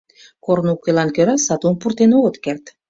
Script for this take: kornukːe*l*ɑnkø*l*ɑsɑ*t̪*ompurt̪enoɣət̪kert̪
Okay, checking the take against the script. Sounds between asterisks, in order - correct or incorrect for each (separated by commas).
correct, incorrect, correct